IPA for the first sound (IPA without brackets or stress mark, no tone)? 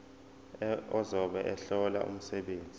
ɔ